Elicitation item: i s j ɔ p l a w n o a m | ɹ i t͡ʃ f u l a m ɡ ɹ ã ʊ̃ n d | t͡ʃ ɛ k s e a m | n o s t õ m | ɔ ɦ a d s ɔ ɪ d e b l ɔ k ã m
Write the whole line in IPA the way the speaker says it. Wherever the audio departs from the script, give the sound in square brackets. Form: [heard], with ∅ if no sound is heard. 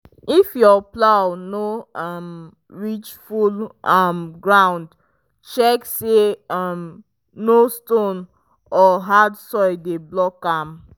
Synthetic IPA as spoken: i [f] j ɔ p l a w n o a m | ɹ i t͡ʃ f u l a m ɡ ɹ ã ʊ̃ n d | t͡ʃ ɛ k s e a m | n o s t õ [n] | ɔ ɦ a d s ɔ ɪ d e b l ɔ k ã m